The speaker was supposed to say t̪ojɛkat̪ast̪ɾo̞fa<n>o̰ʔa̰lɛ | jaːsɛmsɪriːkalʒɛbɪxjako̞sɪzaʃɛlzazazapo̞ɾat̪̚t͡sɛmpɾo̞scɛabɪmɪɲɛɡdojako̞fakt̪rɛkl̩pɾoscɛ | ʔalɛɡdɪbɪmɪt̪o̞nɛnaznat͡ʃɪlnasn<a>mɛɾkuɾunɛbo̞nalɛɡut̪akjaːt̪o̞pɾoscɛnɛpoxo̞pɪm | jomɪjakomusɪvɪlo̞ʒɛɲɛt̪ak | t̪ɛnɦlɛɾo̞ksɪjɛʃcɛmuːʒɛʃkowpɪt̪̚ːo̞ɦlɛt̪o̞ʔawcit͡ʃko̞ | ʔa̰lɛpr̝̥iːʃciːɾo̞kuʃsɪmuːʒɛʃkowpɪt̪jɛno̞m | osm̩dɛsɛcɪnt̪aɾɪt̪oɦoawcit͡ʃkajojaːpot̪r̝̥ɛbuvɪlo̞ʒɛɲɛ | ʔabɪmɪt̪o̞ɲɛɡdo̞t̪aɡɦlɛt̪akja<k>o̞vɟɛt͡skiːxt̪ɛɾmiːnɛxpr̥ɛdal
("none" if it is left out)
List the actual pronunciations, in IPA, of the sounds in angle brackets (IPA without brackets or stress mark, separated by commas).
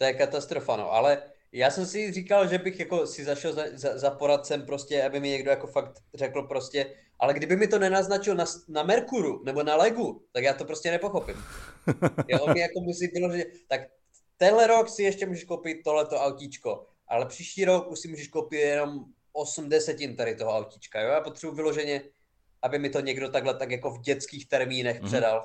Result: n, a, k